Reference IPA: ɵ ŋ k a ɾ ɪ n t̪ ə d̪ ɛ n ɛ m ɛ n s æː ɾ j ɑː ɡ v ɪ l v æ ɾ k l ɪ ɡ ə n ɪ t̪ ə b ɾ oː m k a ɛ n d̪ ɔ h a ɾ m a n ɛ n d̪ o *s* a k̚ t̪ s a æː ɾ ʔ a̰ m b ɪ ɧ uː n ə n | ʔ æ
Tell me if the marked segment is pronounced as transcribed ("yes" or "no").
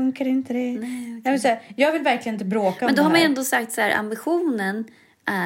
yes